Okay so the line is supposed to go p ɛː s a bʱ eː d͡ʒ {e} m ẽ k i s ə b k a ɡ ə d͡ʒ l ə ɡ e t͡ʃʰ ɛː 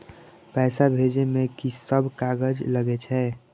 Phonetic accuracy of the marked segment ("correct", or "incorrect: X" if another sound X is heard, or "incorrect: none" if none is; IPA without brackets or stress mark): correct